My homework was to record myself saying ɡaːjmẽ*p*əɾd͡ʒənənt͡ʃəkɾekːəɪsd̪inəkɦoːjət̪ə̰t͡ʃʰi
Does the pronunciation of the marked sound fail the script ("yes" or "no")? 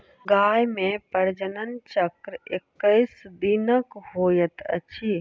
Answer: no